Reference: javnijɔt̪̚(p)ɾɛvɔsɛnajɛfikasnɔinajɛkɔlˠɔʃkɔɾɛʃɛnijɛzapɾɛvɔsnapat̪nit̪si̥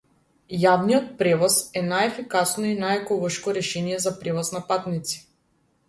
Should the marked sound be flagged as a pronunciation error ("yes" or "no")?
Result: no